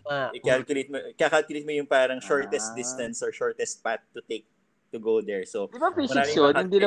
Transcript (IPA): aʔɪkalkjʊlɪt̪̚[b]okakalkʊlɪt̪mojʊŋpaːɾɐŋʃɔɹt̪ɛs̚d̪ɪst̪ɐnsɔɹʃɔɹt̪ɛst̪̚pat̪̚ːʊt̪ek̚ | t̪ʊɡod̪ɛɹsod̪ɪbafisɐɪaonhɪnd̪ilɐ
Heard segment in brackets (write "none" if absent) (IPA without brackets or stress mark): m